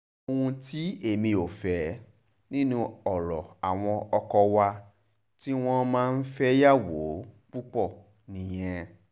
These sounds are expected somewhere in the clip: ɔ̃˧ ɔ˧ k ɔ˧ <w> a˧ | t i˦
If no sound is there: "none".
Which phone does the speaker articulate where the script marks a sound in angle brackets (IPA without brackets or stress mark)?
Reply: w